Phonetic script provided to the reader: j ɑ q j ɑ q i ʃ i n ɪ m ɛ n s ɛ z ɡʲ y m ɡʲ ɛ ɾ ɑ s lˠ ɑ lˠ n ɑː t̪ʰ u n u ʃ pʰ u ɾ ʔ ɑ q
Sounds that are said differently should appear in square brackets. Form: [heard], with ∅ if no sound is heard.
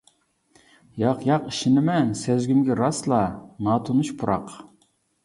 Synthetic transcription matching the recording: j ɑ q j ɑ q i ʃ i n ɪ m ɛ n s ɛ z ɡʲ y m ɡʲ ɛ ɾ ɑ s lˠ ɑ [∅] n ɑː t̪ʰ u n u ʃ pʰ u ɾ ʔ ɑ q